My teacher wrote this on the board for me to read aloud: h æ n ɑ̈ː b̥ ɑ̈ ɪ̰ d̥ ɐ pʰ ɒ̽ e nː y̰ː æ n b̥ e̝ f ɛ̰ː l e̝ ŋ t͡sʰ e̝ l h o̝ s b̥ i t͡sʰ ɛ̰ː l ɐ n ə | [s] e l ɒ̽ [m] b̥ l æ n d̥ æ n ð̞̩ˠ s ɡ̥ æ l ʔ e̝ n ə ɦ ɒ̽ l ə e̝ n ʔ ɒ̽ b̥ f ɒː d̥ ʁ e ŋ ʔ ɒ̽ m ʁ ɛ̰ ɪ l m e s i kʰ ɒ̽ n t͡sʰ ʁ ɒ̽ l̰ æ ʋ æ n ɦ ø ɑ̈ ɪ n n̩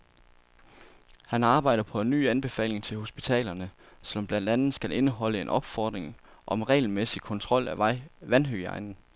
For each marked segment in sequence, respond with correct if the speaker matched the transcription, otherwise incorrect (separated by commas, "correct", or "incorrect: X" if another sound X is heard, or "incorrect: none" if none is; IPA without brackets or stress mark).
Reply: correct, correct